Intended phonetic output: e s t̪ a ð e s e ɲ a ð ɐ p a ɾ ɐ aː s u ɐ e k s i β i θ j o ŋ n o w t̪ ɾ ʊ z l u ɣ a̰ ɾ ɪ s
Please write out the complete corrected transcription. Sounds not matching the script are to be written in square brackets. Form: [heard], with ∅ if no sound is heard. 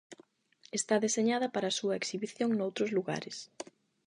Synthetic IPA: e s t̪ a ð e s e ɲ a ð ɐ p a ɾ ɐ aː s u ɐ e k s i β i θ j o ŋ n o w t̪ ɾ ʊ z l u ɣ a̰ ɾ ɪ s